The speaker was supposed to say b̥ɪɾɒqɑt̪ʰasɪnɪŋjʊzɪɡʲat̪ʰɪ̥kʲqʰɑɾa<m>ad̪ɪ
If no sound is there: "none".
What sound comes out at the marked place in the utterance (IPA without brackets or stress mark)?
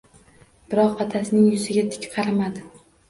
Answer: m